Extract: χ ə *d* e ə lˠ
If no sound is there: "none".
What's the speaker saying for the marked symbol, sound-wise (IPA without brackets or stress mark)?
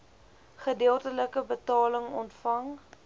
d